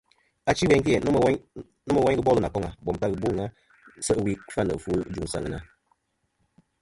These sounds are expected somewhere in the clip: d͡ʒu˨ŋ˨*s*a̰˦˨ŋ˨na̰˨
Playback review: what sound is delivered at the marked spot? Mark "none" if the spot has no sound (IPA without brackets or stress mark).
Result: s